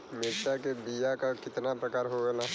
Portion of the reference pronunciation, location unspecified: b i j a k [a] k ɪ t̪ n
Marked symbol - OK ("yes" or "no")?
yes